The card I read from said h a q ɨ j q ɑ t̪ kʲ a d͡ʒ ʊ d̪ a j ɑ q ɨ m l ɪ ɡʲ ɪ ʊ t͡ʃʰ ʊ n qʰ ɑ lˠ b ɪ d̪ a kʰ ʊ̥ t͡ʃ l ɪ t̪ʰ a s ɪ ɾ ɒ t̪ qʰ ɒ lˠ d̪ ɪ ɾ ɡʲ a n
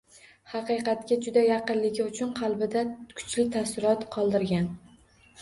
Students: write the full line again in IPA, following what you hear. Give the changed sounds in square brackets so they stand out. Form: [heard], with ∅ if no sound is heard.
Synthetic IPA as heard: h [ɑ] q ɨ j q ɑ t̪ kʲ a d͡ʒ ʊ d̪ a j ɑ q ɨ [n] l ɪ ɡʲ ɪ ʊ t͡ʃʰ ʊ n qʰ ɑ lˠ b ɪ d̪ a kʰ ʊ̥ t͡ʃ l ɪ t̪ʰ a s ɪ ɾ ɒ t̪ qʰ ɒ lˠ d̪ ɪ ɾ ɡʲ a n